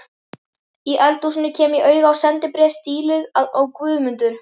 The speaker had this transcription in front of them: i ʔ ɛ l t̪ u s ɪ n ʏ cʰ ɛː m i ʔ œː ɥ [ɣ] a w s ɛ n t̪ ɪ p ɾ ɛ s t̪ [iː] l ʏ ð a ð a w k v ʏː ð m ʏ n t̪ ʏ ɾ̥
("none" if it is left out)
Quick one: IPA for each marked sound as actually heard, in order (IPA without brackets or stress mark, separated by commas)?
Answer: ɣ, iː